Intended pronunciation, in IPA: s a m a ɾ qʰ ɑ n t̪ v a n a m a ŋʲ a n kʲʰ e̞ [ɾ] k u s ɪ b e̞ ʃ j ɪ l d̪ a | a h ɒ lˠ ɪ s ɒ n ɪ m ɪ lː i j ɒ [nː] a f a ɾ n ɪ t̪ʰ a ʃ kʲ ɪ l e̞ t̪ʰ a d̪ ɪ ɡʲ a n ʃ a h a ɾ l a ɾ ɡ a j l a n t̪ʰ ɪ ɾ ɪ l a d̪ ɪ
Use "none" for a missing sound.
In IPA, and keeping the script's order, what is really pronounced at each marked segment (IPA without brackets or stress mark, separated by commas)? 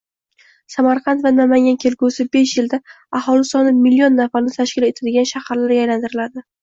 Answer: l, nː